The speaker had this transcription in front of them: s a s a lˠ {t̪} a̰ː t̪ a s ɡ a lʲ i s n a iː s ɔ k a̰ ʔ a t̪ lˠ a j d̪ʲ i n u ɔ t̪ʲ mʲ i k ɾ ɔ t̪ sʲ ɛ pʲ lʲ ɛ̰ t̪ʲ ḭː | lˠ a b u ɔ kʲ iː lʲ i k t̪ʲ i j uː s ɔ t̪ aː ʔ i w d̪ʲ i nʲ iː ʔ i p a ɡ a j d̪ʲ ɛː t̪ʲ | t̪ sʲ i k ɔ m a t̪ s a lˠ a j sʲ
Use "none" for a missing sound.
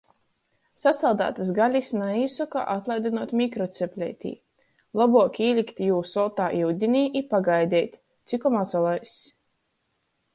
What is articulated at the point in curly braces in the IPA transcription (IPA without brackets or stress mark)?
d̪